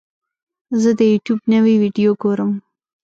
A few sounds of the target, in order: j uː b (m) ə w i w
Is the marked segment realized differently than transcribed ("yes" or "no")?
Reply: yes